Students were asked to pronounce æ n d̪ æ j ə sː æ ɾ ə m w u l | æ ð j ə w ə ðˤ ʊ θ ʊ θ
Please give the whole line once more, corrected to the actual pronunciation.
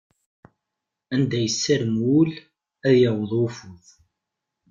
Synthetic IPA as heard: æ n d̪ æ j ə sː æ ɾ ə m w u l | æ ð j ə w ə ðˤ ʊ f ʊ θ